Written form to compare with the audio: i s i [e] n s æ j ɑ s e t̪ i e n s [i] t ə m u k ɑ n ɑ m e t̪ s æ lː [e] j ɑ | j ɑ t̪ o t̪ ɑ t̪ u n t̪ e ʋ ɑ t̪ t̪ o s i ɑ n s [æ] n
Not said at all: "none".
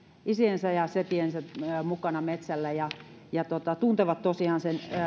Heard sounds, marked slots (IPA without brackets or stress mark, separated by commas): e, æ, æ, e